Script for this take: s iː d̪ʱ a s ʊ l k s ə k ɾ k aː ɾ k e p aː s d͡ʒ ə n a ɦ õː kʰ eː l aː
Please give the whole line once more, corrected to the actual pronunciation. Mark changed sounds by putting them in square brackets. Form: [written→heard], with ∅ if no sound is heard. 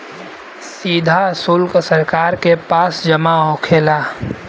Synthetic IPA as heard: s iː d̪ʱ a s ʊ l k s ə [k→∅] ɾ k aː ɾ k e p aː s d͡ʒ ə [n→m] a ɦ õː kʰ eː l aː